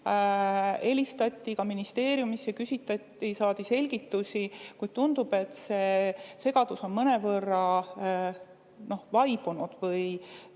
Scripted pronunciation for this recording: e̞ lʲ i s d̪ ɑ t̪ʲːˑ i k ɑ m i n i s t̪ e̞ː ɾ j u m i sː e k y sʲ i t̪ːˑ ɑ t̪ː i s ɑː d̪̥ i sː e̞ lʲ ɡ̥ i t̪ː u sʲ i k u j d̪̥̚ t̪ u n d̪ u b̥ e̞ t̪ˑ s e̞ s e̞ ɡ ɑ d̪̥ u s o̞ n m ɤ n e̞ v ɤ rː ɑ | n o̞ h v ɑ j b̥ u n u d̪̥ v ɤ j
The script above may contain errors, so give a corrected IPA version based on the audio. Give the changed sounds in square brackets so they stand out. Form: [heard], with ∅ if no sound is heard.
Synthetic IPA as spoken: e̞ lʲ i s [t̪] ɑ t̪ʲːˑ i k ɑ m i n i s t̪ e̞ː ɾ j u m i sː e k y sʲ i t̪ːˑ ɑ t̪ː i s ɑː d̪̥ i [s] e̞ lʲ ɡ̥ i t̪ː u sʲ i k u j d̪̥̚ t̪ u n d̪ u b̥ e̞ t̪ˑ s e̞ s e̞ ɡ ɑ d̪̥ u s o̞ n m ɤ n e̞ v ɤ rː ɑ | n o̞ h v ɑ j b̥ u n u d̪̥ v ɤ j